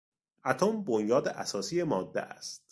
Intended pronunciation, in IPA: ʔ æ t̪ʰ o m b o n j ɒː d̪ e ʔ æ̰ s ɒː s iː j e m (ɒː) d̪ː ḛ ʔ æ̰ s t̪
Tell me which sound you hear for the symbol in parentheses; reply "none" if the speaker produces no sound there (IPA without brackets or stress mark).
ɒː